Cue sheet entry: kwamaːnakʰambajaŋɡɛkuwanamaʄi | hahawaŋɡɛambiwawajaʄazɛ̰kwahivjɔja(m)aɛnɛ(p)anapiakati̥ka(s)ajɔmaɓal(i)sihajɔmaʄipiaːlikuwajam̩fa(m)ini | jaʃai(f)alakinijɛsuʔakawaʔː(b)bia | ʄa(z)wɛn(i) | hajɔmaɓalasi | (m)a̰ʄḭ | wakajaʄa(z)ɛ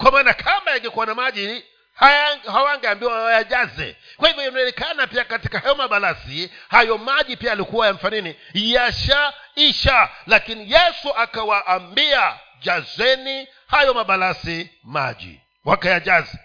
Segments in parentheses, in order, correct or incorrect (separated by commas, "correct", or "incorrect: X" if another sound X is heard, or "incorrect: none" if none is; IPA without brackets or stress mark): incorrect: n, incorrect: k, incorrect: h, incorrect: a, incorrect: n, incorrect: ʃ, incorrect: m, correct, correct, correct, correct